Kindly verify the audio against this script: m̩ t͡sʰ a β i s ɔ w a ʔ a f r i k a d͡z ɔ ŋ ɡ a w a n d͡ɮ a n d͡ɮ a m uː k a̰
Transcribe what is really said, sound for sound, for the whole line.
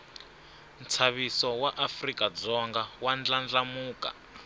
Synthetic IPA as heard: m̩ t͡sʰ a β i s ɔ w a ʔ a f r i k a d͡z ɔ ŋ ɡ a w a n d͡ɮ a n d͡ɮ a m uː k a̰